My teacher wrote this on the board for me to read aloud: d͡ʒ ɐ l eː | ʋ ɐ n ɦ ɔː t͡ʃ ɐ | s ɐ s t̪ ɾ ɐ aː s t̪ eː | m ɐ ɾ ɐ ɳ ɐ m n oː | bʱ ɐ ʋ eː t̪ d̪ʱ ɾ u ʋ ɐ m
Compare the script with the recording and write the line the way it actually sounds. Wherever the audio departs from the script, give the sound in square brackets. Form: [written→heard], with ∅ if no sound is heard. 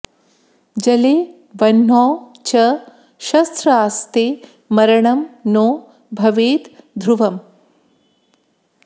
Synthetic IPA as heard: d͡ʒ ɐ l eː | ʋ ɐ n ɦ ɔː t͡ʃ ɐ | [s→ʃ] ɐ s t̪ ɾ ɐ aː s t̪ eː | m ɐ ɾ ɐ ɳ ɐ m n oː | bʱ ɐ ʋ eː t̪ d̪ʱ ɾ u ʋ ɐ m